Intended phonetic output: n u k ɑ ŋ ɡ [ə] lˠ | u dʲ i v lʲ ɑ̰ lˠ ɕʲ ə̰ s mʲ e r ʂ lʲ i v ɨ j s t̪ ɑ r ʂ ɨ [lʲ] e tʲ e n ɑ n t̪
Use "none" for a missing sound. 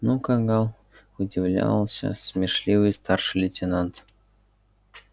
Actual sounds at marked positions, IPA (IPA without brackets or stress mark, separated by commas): ɑ, lʲ